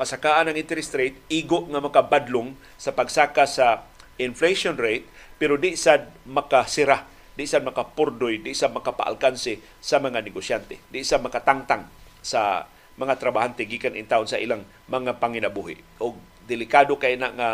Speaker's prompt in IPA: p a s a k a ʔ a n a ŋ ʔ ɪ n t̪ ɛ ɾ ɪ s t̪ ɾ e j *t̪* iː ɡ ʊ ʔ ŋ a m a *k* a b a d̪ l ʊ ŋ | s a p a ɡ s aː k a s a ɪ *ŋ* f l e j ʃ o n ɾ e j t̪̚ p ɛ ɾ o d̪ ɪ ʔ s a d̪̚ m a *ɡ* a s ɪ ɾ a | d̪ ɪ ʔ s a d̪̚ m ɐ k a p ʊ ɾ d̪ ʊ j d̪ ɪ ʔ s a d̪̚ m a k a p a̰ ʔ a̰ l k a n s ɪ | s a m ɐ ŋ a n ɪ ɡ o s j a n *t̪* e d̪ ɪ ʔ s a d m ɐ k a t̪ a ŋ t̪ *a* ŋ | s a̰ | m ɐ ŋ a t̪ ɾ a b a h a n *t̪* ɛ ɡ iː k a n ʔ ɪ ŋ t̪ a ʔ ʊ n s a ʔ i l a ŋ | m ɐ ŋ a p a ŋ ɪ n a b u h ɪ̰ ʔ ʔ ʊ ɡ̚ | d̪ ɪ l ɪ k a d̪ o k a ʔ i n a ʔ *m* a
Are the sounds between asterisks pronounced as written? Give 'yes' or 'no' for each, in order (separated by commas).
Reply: yes, yes, no, no, yes, yes, yes, no